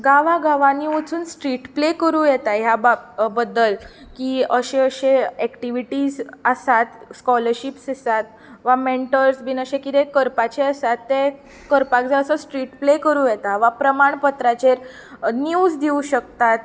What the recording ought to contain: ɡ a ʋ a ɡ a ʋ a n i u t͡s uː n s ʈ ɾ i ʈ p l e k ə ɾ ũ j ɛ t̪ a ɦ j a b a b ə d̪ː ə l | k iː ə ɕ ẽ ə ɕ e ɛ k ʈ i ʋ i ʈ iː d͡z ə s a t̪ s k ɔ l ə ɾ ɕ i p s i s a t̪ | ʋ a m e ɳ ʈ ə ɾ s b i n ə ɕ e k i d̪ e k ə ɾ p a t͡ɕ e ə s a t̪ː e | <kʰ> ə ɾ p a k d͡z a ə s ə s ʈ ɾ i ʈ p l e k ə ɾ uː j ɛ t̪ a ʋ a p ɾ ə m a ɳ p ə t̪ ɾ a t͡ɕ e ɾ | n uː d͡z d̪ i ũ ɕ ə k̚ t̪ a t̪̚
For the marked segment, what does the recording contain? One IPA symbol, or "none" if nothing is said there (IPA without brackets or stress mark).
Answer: k